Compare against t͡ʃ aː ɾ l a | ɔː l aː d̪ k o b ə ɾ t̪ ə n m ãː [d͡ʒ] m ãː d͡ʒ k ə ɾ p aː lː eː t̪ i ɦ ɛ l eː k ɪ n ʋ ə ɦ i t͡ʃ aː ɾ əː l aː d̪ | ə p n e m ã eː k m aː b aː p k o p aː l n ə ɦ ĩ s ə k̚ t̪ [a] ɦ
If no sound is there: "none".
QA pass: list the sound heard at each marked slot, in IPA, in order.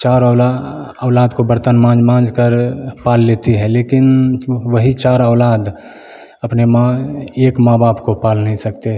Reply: d͡ʒ, e

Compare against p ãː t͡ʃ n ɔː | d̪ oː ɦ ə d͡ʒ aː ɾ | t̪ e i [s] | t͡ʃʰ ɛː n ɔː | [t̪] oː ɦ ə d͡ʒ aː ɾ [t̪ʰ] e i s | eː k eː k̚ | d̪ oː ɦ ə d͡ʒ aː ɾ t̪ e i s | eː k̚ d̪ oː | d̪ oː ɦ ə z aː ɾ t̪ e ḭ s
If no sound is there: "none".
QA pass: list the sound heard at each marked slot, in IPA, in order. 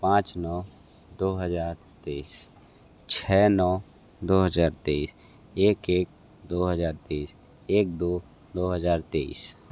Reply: s, d̪, t̪

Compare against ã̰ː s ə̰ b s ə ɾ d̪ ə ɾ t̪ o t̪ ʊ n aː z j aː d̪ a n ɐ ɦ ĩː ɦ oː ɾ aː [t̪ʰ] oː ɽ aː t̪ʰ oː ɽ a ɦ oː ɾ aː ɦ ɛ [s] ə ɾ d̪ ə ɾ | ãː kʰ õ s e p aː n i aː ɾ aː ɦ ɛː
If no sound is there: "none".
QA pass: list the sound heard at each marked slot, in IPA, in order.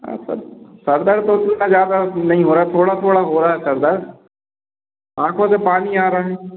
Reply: t̪ʰ, s

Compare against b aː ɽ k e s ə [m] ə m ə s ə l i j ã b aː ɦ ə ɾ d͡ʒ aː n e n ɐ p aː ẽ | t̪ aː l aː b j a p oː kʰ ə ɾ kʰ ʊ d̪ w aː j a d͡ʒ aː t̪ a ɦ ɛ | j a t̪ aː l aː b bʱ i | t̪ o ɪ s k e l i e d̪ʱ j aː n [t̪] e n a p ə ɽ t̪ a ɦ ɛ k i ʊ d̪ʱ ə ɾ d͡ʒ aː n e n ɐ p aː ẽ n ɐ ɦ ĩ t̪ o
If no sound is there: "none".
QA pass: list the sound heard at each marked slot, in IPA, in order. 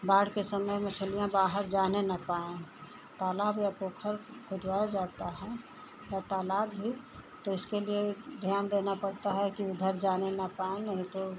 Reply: m, d̪

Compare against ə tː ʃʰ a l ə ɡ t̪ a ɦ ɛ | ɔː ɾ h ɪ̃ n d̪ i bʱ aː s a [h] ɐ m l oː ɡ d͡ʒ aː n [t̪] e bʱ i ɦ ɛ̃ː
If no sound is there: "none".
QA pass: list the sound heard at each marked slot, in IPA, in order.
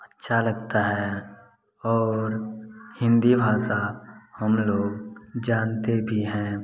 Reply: h, t̪

